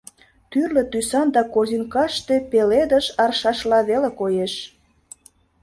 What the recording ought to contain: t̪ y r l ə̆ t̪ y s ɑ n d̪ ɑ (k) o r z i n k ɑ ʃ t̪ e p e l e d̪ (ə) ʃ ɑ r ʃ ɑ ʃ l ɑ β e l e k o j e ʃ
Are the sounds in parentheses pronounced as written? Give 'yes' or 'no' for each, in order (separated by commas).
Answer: yes, yes